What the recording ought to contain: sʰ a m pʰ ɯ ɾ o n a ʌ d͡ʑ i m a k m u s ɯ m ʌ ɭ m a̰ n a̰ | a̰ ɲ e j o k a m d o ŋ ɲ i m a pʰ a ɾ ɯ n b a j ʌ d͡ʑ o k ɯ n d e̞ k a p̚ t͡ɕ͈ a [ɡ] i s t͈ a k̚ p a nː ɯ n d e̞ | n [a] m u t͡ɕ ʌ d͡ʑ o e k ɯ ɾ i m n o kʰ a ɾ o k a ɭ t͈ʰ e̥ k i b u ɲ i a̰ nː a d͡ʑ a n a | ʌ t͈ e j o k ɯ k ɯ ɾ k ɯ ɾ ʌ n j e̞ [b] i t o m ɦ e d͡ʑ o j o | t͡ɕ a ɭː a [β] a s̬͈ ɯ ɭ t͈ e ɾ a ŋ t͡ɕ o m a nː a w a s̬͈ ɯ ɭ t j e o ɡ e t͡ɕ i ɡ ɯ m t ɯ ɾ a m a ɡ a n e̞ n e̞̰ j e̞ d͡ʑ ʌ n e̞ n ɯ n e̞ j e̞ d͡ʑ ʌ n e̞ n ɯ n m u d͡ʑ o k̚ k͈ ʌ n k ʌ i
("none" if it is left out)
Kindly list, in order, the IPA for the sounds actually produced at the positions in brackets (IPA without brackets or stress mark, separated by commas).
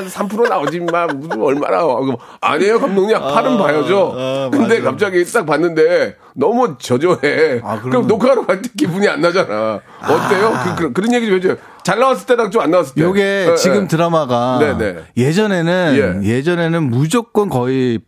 ɡ, ʌ, ɡ, w